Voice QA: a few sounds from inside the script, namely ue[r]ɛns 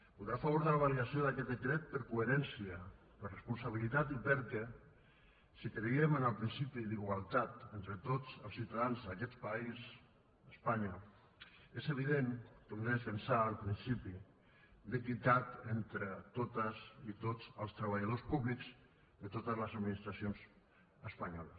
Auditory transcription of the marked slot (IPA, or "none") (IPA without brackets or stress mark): ɾ